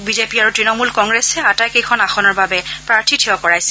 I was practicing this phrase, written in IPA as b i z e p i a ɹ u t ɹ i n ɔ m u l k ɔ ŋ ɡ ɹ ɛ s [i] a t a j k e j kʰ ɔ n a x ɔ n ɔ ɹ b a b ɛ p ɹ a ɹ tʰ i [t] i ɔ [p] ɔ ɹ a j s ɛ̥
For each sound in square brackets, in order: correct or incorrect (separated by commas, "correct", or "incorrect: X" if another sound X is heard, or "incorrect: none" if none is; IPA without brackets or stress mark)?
incorrect: ɛ, incorrect: tʰ, incorrect: k